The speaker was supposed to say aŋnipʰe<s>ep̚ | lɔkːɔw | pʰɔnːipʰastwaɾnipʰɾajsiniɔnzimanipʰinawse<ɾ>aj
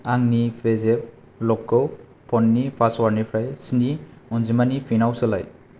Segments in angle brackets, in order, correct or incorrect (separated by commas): incorrect, incorrect